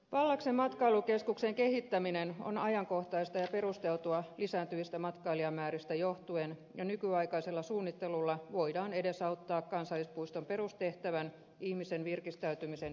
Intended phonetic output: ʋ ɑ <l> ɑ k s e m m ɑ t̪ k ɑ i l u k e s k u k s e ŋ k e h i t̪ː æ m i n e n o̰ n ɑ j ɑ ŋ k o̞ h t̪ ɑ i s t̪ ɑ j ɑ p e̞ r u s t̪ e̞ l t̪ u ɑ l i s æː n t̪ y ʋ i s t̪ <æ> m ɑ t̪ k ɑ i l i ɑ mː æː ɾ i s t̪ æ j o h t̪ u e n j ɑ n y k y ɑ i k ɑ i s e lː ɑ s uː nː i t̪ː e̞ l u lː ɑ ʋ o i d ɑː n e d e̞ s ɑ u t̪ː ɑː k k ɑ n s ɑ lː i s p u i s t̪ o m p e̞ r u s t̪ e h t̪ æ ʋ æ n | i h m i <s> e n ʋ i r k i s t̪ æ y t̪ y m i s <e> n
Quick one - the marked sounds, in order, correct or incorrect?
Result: incorrect: lː, correct, correct, correct

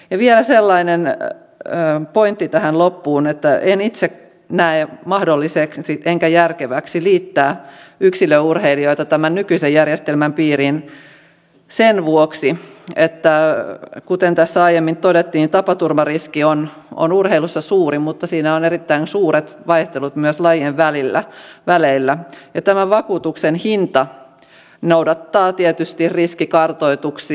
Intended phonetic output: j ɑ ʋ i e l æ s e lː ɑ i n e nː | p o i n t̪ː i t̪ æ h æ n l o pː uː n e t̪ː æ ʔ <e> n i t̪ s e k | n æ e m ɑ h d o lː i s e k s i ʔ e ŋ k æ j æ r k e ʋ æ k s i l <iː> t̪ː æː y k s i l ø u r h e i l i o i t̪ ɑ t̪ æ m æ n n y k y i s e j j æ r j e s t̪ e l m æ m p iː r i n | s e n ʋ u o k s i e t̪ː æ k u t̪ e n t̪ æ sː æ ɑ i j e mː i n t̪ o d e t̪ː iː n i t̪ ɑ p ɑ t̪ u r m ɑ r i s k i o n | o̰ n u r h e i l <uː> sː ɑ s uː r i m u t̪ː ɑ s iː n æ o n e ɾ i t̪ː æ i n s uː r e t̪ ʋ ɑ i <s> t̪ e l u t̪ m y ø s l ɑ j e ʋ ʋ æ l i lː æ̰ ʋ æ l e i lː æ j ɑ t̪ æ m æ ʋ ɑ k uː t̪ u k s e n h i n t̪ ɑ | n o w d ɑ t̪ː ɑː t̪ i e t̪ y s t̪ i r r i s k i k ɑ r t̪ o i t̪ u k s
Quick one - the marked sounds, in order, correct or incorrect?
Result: correct, correct, incorrect: u, incorrect: h

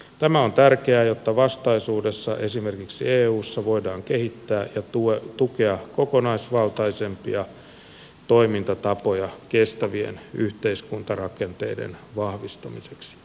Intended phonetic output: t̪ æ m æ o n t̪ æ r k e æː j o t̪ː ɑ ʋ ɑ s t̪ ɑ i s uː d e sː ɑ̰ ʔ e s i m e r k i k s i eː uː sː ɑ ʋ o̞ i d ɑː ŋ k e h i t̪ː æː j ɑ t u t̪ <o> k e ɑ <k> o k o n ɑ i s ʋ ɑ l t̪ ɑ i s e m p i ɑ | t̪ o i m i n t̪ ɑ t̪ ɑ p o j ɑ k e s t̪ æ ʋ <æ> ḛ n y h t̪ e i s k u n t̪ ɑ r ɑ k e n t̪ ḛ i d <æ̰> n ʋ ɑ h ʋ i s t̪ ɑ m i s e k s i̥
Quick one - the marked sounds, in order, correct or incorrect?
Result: incorrect: u, correct, incorrect: i, incorrect: ḛ

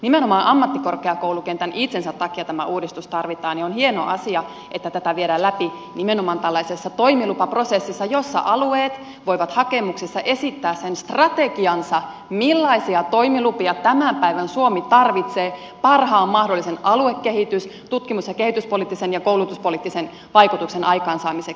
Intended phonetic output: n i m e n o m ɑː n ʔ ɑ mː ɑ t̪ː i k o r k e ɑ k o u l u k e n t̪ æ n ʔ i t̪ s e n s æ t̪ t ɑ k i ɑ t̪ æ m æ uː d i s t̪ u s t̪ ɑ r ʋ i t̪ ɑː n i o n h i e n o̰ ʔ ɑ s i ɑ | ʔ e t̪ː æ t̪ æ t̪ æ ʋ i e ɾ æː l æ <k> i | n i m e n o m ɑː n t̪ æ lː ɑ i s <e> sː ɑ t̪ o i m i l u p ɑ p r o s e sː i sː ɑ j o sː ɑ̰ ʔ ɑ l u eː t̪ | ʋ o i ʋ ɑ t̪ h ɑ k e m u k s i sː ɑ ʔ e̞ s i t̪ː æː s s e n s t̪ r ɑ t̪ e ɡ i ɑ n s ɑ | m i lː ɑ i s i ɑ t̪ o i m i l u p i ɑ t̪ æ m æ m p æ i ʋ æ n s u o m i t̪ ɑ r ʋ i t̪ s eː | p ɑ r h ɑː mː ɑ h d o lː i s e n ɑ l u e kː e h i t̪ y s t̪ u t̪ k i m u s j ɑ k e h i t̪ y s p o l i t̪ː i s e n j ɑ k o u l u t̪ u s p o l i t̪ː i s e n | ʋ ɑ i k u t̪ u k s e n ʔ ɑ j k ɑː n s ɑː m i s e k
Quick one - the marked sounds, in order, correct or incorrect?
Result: incorrect: p, correct

